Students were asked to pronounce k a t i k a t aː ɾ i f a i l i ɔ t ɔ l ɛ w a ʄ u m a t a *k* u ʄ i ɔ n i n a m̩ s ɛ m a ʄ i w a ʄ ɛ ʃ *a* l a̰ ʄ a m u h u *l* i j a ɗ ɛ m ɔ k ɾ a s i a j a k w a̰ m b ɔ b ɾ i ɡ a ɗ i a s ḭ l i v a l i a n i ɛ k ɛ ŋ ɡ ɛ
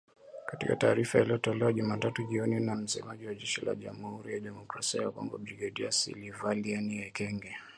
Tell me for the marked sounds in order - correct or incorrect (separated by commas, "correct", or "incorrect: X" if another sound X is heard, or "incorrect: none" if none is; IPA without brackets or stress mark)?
incorrect: t, incorrect: i, incorrect: ɾ